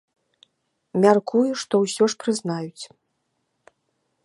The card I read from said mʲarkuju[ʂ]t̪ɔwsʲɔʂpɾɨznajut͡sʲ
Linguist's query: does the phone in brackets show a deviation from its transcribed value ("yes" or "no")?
no